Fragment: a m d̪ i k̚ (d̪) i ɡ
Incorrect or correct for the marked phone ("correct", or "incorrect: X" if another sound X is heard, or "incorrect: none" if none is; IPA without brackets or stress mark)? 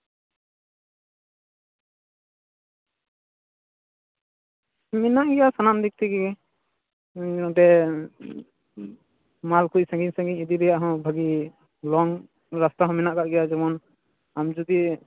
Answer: incorrect: t̪